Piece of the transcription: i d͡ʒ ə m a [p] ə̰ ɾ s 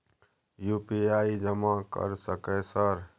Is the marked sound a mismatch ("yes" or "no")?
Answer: yes